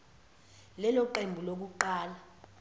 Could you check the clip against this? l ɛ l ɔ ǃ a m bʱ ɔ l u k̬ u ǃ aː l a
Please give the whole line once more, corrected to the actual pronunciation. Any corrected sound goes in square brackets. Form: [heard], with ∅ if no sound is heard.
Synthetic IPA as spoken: l ɛ l ɔ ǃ [e] m bʱ [u] l [o] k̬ u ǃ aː l a